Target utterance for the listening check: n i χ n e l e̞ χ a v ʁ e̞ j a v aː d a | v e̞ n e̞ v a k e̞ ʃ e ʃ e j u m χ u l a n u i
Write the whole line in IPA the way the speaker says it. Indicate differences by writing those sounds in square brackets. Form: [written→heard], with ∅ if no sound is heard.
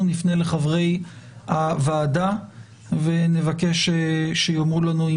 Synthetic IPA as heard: n i [χ→f] n e l e̞ χ a v ʁ e̞ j a v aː d a | v e̞ n e̞ v a k e̞ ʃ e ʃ e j [u→o] m [χ→ʁ] u l a n u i